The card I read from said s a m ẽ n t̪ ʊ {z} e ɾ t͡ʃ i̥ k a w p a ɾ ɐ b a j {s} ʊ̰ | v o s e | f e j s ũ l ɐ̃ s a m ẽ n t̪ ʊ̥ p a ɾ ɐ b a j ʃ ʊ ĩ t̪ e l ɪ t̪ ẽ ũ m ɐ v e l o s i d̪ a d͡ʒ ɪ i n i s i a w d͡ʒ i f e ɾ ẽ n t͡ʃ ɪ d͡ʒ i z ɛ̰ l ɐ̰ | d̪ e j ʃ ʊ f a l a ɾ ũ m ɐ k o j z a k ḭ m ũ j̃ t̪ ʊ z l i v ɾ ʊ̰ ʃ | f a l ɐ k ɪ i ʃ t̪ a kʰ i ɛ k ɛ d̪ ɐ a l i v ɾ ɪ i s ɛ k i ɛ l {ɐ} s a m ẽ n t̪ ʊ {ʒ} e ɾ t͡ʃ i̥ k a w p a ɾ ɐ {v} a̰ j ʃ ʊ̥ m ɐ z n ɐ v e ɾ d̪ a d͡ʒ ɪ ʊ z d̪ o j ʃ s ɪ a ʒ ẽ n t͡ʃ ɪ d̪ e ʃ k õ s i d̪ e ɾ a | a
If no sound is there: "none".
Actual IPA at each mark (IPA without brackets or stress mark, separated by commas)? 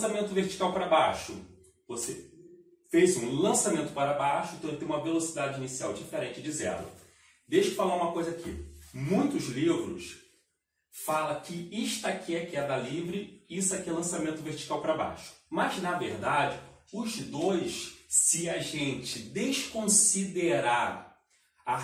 v, ʃ, ɐ̃, v, b